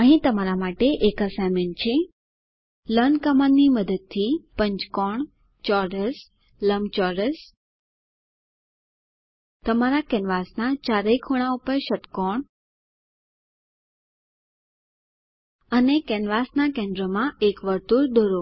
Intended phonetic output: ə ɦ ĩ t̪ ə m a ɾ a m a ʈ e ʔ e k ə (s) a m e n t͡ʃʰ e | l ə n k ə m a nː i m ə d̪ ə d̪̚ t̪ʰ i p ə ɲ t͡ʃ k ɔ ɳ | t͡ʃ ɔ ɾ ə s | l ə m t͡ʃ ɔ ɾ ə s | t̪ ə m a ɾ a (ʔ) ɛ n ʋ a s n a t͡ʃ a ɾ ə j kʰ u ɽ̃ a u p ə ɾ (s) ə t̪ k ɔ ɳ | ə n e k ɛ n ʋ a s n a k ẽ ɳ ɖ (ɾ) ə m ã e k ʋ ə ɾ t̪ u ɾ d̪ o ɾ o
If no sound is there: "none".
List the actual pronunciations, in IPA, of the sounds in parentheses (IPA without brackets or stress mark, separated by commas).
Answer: s, k, ʃ, ɾ